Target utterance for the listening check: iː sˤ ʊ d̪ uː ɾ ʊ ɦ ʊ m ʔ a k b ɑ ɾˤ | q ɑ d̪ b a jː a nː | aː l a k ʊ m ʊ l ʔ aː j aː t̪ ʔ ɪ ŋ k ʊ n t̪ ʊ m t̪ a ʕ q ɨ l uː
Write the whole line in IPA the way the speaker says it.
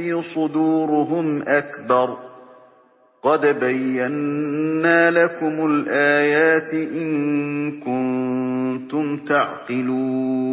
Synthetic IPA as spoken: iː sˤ ʊ d̪ uː ɾ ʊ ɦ ʊ m ʔ a k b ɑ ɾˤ | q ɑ d̪ b a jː a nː | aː l a k ʊ m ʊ l ʔ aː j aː t̪ ʔ ɪ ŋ k ʊ n t̪ ʊ m t̪ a ʕ q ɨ l uː